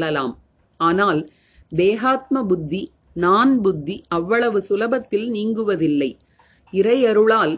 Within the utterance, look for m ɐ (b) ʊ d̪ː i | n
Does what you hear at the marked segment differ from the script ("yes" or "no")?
no